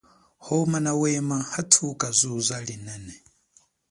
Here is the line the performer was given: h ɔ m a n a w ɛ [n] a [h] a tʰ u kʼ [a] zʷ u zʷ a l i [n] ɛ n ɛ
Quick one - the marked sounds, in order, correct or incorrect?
incorrect, correct, correct, correct

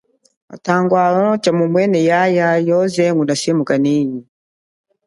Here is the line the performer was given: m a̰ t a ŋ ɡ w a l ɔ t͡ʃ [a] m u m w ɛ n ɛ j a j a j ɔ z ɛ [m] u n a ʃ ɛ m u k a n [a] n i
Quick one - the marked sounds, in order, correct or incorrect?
correct, incorrect, incorrect

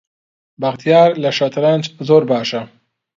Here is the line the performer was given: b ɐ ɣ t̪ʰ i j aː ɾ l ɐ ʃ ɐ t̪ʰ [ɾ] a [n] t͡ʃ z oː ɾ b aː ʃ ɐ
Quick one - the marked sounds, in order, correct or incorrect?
correct, correct

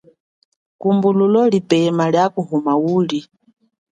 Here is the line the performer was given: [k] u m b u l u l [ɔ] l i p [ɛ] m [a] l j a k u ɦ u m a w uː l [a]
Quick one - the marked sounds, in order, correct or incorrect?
correct, correct, correct, correct, incorrect

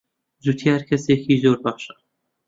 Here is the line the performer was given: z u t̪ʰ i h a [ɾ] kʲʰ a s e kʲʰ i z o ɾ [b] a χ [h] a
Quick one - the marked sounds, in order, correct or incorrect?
correct, correct, incorrect

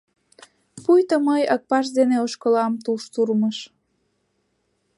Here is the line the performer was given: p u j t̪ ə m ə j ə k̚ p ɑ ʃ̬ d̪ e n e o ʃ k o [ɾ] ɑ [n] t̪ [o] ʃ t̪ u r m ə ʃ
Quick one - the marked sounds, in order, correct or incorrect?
incorrect, incorrect, incorrect

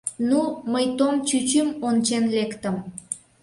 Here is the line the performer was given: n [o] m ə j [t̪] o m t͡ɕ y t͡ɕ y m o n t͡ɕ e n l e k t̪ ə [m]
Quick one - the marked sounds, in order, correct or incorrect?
incorrect, correct, correct

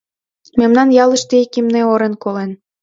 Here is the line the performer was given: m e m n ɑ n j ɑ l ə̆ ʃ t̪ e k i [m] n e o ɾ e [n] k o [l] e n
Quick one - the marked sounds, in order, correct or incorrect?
correct, correct, correct

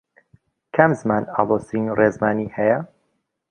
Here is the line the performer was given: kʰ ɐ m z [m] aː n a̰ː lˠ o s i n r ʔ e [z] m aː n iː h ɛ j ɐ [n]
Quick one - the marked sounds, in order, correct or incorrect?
correct, correct, incorrect

